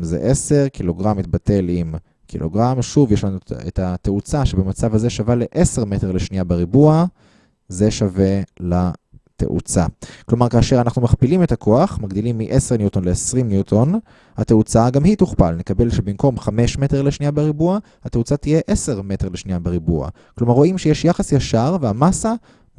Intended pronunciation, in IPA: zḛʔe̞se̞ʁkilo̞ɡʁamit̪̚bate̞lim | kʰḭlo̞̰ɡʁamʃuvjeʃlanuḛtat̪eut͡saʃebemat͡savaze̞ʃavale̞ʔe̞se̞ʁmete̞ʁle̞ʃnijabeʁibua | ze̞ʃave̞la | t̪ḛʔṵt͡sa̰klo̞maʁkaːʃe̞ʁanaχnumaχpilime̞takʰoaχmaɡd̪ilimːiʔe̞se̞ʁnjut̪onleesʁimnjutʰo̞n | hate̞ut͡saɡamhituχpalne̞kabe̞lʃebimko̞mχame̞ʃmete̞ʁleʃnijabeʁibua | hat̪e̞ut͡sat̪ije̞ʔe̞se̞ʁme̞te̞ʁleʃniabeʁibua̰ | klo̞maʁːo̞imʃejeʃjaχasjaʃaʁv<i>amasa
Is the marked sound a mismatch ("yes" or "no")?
yes